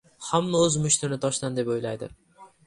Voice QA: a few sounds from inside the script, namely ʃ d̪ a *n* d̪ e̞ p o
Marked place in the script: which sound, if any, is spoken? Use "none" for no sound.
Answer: n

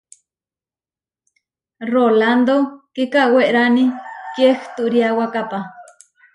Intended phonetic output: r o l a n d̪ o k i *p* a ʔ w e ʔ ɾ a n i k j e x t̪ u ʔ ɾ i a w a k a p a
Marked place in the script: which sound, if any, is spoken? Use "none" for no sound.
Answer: k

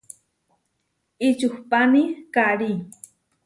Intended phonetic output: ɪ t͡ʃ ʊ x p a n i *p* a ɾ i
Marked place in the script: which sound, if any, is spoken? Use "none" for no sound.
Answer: k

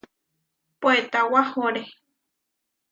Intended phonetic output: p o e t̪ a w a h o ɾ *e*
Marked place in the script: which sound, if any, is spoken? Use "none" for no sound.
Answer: e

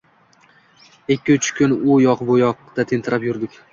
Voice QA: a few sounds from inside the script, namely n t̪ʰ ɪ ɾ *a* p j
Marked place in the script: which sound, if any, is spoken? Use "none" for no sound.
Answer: a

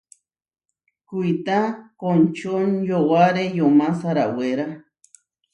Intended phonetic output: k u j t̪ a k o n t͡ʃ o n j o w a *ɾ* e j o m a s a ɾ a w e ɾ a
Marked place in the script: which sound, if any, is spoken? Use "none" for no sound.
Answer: ɾ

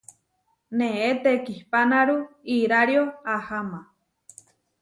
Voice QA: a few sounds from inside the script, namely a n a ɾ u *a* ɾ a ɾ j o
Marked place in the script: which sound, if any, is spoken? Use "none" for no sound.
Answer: i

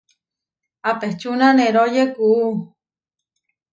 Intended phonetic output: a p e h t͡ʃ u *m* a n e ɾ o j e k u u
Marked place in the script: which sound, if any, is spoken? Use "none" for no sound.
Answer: n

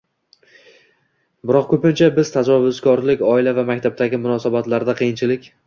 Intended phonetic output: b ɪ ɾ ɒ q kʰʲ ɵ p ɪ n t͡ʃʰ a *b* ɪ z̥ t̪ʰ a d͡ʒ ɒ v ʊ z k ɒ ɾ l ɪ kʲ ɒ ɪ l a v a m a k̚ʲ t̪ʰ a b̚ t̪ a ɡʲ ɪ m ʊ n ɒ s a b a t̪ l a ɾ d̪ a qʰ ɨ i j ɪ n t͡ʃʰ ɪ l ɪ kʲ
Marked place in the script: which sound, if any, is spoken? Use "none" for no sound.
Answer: b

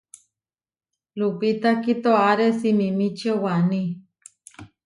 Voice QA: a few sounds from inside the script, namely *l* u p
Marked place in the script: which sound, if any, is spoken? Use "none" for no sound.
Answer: l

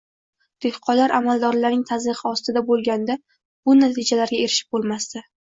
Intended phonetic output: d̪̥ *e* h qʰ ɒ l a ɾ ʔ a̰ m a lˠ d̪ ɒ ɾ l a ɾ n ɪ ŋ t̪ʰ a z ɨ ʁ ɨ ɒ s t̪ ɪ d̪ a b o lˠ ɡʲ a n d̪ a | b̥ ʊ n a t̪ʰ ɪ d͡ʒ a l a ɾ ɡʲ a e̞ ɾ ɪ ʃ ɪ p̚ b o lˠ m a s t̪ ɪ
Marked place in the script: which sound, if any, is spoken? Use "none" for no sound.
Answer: e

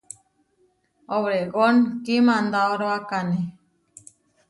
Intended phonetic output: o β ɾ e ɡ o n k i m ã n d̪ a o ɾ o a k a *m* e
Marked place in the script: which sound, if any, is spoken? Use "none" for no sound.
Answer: n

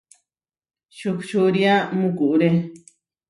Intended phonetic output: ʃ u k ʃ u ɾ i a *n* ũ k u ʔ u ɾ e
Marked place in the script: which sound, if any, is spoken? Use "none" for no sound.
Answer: m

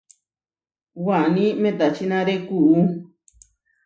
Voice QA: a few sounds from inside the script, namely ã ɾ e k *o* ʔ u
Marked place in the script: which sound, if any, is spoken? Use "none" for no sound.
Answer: u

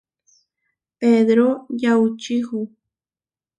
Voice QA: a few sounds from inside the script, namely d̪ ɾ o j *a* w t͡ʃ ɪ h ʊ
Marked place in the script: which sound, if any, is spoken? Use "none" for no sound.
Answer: a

